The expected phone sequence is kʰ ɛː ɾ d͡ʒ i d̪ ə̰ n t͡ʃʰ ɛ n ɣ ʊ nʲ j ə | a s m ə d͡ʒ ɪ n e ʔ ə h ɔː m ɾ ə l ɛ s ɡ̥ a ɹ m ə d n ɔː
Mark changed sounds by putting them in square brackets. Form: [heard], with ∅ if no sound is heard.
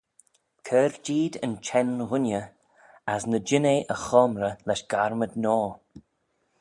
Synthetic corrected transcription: kʰ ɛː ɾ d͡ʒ [iː] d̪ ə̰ n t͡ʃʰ ɛ n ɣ ʊ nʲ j ə | a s [n] ə d͡ʒ ɪ n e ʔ ə [x] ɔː m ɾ ə l ɛ [ʃ] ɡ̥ a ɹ m ə d n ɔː

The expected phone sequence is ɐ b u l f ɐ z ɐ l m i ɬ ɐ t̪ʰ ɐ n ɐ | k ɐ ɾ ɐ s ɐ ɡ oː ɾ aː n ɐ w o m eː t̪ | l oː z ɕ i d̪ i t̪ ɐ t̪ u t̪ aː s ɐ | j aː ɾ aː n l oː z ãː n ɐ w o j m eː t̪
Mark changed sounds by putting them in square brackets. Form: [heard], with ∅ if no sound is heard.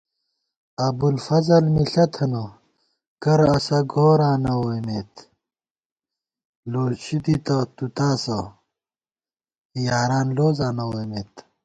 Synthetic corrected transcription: ɐ b u l f ɐ z ɐ l m i ɬ ɐ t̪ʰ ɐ n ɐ | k ɐ ɾ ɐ s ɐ ɡ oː ɾ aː n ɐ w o m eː t̪ | l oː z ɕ i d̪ i t̪ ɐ t̪ u t̪ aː s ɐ | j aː ɾ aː n l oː z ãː n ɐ w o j m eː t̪

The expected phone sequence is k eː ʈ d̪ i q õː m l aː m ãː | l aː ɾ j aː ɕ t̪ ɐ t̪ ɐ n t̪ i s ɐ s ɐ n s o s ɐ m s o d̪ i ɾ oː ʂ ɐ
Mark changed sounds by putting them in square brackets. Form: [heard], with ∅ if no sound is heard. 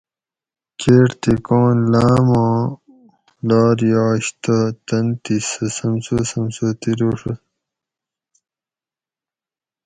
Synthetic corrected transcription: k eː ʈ [t̪] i [k] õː [n] l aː m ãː | l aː ɾ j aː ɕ t̪ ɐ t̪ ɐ n t̪ i s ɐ s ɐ [m] s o s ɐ m s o [t̪] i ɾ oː ʂ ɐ

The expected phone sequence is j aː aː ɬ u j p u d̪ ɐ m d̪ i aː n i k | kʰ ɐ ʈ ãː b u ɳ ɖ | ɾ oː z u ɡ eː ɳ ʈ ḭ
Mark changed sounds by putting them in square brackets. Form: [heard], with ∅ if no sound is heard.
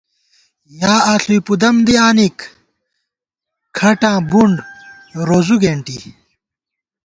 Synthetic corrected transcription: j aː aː ɬ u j p u d̪ ɐ m d̪ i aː n i k | kʰ ɐ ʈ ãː b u ɳ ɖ | ɾ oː z u ɡ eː ɳ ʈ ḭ

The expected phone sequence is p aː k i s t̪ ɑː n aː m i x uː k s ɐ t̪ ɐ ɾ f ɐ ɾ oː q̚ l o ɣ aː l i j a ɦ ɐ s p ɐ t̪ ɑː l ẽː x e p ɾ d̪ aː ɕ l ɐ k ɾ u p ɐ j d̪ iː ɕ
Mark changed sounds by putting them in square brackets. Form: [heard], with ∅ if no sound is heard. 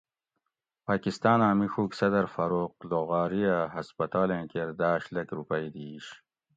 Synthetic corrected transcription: p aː k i s t̪ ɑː n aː m i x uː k s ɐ [d̪] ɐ ɾ f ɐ ɾ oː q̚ l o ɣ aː [ɾ] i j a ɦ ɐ s p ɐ t̪ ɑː l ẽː [k] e [∅] ɾ d̪ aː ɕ l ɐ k ɾ u p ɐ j d̪ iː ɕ

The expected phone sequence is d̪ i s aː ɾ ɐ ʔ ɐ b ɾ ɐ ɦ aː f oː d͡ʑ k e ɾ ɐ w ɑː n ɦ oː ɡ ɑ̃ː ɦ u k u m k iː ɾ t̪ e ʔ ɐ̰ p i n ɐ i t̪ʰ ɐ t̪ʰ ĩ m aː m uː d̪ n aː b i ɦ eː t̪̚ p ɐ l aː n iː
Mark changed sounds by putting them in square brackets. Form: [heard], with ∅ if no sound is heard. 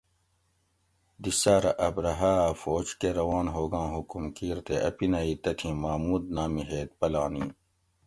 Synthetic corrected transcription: d̪ i s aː ɾ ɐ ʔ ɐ b ɾ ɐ ɦ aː f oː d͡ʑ k e ɾ ɐ w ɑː n ɦ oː ɡ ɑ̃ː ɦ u k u m k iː ɾ t̪ e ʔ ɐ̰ p i n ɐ i [t̪] ɐ t̪ʰ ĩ m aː m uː d̪ n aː [m] i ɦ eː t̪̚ p ɐ l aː n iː

